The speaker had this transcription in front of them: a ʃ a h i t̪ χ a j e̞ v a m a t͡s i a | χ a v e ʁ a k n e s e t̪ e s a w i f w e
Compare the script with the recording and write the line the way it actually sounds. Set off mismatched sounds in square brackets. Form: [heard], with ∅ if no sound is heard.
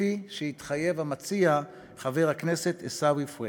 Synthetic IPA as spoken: [i] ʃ [e] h i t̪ χ a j e̞ v a m a t͡s i a | χ a v e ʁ a k n e s e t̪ e s a w i f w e